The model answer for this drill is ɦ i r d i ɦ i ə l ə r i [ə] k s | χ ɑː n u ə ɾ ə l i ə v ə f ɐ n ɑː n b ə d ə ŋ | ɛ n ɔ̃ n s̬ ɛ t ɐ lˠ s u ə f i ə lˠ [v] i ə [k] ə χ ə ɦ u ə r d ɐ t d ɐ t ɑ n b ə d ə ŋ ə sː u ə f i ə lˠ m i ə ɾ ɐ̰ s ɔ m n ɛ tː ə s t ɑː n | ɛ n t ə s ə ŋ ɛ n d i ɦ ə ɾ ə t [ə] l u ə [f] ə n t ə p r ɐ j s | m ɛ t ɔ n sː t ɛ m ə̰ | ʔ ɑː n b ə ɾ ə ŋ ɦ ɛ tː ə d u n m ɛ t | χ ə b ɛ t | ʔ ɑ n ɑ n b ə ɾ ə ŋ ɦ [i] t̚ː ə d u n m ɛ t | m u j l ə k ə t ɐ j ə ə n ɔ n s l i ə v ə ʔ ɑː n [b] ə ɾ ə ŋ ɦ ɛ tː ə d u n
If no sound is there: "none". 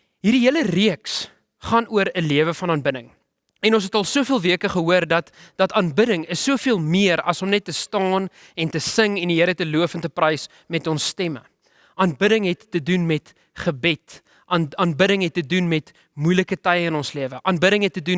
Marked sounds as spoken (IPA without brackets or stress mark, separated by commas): ə, v, k, ə, f, ɛ, b